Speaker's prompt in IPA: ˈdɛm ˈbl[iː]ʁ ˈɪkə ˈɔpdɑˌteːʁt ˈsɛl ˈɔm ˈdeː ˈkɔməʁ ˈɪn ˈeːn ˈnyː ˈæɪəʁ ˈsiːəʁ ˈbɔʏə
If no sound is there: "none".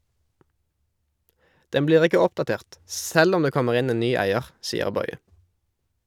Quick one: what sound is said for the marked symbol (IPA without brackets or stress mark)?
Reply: iː